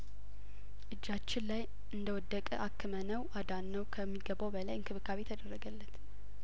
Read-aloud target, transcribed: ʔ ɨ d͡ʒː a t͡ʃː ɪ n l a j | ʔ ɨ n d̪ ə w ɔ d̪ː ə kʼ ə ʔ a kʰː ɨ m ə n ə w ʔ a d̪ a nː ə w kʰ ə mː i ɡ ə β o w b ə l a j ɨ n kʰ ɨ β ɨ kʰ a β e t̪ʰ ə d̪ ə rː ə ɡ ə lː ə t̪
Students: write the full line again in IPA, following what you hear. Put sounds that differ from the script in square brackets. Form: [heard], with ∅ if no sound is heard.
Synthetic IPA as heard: ʔ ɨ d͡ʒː a t͡ʃː ɪ n l a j | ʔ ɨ n d̪ ə w ɔ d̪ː ə kʼ ə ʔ a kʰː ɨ m ə n ə w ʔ a d̪ a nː ə w kʰ ə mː i ɡ ə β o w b ə l a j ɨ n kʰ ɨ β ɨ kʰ a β e t̪ʰ ə d̪ ə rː ə ɡ ə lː ə t̪